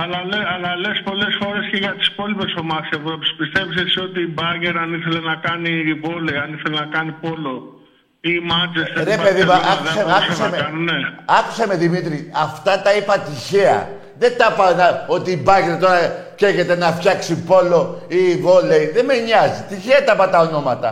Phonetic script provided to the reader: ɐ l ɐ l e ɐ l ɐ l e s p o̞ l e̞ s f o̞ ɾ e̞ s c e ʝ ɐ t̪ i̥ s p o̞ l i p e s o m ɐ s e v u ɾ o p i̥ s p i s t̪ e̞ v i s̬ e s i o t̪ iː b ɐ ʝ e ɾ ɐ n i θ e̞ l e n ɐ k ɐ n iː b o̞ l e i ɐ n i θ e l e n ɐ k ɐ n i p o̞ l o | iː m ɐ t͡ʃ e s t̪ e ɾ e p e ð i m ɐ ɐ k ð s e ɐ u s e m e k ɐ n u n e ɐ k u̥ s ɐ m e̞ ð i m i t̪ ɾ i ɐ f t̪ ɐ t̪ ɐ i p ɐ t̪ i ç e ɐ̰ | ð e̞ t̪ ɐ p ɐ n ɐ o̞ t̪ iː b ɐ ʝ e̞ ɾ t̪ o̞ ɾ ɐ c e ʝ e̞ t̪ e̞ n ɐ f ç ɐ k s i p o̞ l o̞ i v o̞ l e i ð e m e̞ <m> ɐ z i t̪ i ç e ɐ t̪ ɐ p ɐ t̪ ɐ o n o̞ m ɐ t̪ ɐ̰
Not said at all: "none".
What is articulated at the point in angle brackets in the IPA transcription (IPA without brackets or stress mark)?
ɲ